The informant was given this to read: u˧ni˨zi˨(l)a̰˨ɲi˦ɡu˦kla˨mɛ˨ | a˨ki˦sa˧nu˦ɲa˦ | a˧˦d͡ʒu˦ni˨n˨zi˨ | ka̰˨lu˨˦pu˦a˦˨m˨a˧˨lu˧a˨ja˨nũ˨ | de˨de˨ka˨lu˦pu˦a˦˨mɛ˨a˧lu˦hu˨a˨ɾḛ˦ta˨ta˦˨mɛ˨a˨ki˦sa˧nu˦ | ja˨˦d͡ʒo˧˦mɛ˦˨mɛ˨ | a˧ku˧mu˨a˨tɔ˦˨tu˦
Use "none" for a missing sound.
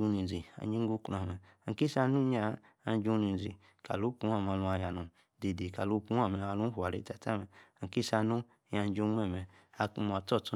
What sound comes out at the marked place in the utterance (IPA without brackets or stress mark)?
none